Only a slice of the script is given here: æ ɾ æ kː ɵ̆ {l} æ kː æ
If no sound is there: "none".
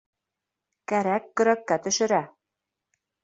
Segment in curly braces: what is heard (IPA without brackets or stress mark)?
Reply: ɾ